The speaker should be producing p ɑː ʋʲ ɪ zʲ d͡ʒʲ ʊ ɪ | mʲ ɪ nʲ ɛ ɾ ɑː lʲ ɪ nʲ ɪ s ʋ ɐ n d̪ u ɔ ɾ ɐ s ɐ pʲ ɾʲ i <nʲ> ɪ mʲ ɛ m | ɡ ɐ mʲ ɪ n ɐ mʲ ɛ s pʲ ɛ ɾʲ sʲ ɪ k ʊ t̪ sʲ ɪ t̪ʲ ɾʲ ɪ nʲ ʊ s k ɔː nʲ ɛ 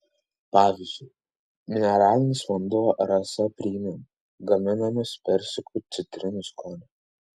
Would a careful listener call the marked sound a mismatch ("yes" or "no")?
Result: yes